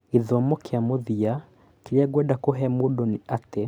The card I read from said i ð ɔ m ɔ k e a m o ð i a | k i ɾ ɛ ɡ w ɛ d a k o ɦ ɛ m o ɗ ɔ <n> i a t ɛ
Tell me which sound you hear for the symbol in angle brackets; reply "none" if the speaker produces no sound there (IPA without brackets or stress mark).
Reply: n